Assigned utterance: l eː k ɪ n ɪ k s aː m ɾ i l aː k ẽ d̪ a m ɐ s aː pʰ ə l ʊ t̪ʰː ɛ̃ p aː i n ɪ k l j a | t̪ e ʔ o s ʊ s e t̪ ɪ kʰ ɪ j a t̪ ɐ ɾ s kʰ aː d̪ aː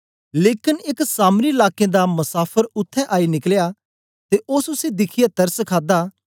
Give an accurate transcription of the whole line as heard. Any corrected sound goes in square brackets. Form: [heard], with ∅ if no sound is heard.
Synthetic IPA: l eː k ɪ n ɪ k s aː m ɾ i l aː k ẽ d̪ a m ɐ s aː pʰ ə [ɾ] ʊ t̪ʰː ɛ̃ [ʔ] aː i n ɪ k l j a | t̪ e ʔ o s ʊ s e [d̪] ɪ kʰ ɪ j a t̪ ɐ ɾ s kʰ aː d̪ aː